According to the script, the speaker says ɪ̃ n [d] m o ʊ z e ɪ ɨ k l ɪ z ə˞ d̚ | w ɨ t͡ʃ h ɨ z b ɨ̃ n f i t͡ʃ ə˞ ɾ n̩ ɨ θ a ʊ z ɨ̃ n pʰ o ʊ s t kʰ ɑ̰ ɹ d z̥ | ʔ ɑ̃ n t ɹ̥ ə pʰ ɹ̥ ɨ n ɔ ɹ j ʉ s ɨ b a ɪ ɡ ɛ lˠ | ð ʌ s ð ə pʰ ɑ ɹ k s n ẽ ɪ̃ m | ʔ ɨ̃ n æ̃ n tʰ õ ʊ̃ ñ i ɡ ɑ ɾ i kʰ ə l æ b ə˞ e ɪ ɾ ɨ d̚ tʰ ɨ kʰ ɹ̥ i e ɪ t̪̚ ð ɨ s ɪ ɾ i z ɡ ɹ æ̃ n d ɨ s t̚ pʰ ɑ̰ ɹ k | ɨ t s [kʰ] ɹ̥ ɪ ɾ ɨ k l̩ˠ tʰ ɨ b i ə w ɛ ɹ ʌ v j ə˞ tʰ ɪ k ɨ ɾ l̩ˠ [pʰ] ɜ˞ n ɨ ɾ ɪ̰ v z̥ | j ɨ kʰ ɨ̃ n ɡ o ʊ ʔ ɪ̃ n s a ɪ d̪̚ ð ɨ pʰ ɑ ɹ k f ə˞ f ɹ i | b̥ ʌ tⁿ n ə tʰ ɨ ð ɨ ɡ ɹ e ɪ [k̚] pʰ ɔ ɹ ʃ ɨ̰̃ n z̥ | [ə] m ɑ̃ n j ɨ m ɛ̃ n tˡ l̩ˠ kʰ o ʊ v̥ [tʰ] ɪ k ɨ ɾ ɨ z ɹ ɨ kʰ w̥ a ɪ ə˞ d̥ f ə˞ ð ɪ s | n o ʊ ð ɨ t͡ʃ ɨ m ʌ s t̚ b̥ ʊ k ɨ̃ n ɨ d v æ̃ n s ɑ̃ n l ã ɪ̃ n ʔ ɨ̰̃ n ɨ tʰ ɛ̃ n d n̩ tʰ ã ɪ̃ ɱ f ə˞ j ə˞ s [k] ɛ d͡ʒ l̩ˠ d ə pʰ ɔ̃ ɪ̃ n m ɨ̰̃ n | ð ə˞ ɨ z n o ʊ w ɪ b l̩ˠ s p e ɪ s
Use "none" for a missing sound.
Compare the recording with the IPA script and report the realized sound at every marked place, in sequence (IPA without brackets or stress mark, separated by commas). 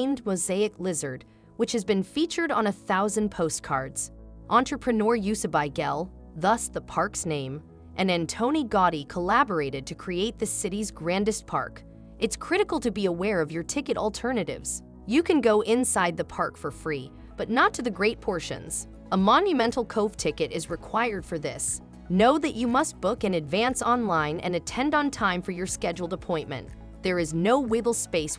d, kʰ, tʰ, t̚, ə, tʰ, k